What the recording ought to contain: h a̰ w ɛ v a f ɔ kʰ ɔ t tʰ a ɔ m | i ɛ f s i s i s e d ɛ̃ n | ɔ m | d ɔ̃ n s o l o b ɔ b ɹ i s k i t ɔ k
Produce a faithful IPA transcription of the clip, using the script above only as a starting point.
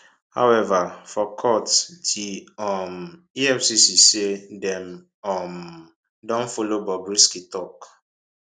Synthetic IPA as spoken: h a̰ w ɛ v a f ɔ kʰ ɔ t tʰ i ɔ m | i ɛ f s i s i s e d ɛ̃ m | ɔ m | d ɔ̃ n f o l o b ɔ b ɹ i s k i t ɔ k